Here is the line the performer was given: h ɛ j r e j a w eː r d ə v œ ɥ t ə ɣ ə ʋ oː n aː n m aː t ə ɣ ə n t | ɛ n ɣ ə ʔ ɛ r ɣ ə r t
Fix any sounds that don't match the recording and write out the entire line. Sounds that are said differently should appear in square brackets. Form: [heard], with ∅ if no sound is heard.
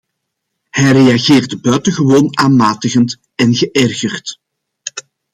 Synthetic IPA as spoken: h ɛ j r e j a [ɣ] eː r d ə [b] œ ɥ t ə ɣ ə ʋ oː n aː n m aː t ə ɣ ə n t | ɛ n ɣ ə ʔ ɛ r ɣ ə r t